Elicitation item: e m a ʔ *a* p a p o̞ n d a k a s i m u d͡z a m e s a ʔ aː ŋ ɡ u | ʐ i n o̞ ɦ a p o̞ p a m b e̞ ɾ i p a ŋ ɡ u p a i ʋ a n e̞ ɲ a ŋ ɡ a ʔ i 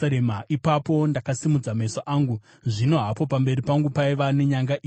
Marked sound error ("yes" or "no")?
yes